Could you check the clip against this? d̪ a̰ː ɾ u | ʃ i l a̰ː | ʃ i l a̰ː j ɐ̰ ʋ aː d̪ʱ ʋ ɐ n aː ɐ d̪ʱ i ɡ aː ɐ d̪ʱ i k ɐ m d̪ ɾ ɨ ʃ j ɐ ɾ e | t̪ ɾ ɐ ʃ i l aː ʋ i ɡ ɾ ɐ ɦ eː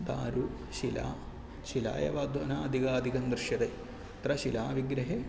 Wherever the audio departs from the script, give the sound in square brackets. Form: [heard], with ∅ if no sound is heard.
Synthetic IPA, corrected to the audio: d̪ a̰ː ɾ u | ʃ i l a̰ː | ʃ i l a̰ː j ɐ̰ ʋ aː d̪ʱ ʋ ɐ n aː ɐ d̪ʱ i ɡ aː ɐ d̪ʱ i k ɐ [n] d̪ ɾ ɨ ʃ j ɐ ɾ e | t̪ ɾ ɐ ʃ i l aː ʋ i ɡ ɾ ɐ ɦ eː